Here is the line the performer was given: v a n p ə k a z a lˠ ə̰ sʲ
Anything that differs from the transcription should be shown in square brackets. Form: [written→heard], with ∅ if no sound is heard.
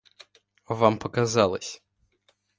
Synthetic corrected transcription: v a [n→m] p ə k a z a lˠ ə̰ sʲ